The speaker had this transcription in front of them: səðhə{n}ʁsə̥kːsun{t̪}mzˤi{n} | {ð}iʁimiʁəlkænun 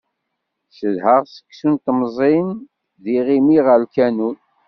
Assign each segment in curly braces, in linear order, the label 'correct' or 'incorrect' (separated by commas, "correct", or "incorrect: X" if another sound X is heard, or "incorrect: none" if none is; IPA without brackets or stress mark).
incorrect: none, correct, correct, correct